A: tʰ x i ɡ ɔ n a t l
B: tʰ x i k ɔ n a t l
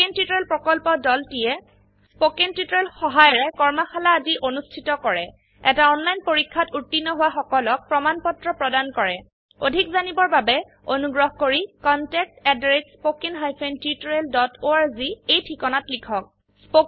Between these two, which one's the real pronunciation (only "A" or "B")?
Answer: B